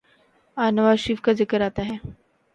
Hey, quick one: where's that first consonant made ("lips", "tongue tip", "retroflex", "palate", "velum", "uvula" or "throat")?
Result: tongue tip